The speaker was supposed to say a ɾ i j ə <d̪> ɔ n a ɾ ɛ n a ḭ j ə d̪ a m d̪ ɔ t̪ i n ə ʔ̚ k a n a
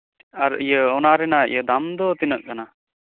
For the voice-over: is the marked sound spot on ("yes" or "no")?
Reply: no